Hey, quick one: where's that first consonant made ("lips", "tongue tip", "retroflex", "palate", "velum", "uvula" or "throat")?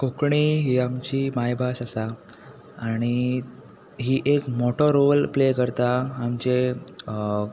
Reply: velum